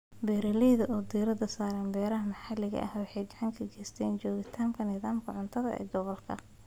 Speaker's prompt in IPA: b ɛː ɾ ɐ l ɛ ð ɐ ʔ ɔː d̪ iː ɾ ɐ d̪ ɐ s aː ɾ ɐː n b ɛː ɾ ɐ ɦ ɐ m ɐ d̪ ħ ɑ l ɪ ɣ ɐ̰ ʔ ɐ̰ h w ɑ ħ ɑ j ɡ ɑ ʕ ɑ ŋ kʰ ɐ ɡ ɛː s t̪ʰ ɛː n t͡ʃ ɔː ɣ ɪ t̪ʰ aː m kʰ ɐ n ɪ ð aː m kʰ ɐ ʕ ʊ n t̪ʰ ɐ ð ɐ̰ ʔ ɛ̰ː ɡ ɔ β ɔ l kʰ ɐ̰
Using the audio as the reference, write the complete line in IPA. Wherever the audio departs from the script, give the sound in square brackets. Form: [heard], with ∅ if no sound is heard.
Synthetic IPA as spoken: b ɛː ɾ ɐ l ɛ ð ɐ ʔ ɔː d̪ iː ɾ ɐ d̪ ɐ s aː ɾ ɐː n b ɛː ɾ ɐ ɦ ɐ m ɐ [∅] ħ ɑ l ɪ ɣ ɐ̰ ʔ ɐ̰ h w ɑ ħ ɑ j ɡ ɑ ʕ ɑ ŋ kʰ ɐ ɡ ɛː s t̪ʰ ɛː n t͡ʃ ɔː ɣ ɪ t̪ʰ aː m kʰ ɐ n ɪ ð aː m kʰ ɐ ʕ ʊ n t̪ʰ ɐ ð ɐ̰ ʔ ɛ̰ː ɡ ɔ β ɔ l kʰ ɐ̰